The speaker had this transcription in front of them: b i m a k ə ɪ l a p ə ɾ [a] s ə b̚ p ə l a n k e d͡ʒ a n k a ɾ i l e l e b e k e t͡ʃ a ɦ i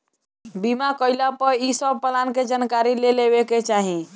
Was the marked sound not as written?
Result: yes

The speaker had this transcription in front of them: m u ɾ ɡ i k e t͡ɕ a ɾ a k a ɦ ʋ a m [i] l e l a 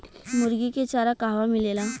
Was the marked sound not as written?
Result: no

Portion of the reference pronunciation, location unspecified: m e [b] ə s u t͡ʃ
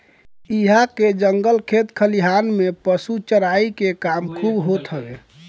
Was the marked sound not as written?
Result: yes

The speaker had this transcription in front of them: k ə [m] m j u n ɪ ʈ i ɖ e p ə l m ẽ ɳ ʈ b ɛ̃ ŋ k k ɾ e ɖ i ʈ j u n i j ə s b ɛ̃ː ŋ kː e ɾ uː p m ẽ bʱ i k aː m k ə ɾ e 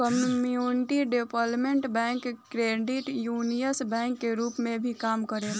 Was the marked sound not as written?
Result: no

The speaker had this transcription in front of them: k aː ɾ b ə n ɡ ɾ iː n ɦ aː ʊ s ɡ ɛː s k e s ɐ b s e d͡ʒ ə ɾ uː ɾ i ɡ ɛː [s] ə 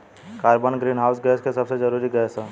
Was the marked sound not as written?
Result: no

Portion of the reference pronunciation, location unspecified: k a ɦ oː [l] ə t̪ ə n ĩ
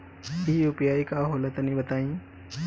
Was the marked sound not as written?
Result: no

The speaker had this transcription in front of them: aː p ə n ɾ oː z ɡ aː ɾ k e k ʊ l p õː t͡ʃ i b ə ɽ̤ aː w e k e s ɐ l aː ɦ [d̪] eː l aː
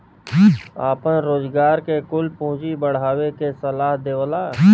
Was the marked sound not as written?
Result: no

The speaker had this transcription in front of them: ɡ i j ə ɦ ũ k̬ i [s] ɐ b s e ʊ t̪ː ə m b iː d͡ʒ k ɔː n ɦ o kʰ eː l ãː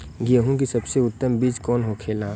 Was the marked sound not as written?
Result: no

